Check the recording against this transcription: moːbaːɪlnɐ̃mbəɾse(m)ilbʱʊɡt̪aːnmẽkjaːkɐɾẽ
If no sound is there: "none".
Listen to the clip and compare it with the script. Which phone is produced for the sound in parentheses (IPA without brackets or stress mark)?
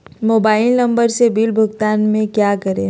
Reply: b